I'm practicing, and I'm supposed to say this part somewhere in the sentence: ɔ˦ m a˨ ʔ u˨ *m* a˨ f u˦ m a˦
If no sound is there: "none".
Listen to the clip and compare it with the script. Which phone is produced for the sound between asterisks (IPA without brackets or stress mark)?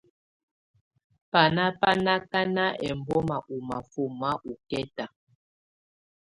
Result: m